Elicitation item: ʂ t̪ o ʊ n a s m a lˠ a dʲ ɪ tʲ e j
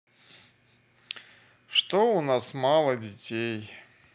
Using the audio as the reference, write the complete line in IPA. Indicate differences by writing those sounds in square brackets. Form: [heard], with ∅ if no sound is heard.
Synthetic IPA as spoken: ʂ t̪ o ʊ n a s m a lˠ [ə] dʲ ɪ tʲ e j